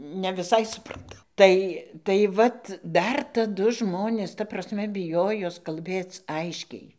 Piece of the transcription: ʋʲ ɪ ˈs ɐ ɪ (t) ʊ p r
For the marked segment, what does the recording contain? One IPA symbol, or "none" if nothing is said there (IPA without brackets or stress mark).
s